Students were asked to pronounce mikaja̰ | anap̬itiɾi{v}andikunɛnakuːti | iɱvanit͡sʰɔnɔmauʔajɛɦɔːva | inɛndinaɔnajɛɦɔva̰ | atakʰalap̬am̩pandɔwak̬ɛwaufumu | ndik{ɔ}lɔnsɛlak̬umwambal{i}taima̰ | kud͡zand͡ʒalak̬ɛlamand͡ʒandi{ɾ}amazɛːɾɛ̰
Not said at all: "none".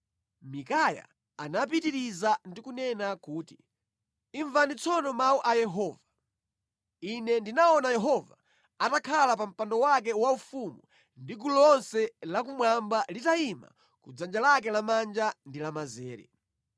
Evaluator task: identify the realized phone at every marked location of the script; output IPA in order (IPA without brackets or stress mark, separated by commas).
z, u, i, l